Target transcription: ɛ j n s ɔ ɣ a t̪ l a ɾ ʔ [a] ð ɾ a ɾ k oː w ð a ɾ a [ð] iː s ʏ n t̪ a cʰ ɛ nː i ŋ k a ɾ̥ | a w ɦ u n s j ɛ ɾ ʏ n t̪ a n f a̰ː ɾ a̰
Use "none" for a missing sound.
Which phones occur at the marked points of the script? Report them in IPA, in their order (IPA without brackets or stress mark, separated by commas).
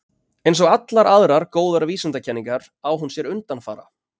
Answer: a, v